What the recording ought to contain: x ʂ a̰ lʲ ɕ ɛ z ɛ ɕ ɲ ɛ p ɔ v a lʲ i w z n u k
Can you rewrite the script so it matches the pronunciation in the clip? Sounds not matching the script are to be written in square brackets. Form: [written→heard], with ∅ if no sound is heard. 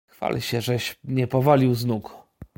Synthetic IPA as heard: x [ʂ→f] a̰ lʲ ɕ ɛ [z→ʐ] ɛ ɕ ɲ ɛ p ɔ v a lʲ i w z n u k